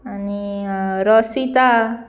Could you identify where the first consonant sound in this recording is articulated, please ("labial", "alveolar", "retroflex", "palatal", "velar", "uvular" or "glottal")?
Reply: alveolar